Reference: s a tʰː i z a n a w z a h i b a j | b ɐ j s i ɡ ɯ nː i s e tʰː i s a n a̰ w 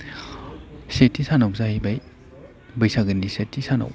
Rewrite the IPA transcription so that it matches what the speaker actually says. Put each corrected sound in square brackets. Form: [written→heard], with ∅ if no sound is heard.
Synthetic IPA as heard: s [a→e] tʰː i [z→s] a n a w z a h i b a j | b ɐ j s [i→a] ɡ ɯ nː i s e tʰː i s a n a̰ w